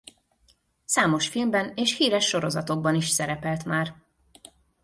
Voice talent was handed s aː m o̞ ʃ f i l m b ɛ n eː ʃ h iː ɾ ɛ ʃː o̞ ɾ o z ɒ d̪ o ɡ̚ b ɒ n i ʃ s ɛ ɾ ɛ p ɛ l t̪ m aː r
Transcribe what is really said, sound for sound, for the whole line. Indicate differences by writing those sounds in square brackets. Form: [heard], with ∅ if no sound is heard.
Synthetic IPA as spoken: s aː m o̞ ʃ f i l m b ɛ n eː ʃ h iː ɾ ɛ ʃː o̞ ɾ o z ɒ [t̪] o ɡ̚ b ɒ n i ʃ s ɛ ɾ ɛ p ɛ l t̪ m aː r